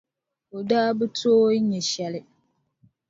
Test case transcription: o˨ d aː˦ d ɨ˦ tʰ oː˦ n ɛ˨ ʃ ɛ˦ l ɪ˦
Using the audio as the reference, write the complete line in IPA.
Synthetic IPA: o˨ d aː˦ b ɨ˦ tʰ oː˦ ɲ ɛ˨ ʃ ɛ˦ l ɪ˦